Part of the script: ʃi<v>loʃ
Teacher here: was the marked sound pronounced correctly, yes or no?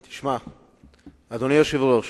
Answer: yes